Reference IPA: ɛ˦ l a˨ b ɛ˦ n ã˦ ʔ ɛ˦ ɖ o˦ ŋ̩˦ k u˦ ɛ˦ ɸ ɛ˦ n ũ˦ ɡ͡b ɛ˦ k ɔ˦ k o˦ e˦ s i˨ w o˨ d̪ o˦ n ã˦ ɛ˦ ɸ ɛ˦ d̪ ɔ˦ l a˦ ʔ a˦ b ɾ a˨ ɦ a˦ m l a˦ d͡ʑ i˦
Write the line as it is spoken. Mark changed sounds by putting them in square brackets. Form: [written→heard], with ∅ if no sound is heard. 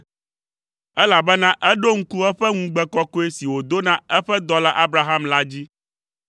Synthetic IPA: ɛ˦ l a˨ b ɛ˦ n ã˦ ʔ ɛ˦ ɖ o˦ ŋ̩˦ k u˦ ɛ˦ ɸ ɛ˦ [n→ŋ] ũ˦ ɡ͡b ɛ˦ k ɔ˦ k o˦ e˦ s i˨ w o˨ d̪ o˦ n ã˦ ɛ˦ ɸ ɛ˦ d̪ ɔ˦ l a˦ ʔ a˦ b ɾ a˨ ɦ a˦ m l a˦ d͡ʑ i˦